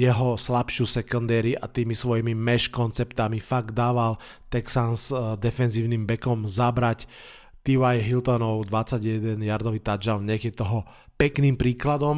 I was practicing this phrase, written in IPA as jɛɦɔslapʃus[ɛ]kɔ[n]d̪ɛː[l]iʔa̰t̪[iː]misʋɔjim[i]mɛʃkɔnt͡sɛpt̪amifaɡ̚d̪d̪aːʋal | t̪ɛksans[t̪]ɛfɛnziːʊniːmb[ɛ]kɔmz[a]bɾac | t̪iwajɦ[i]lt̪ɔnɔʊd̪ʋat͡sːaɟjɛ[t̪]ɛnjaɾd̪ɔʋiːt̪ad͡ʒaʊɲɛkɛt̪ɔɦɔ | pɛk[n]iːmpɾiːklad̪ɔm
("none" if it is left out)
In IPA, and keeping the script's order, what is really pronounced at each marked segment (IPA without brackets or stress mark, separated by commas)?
ɛ, n, ɾ, iː, i, d̪, ɛ, a, i, d̪, n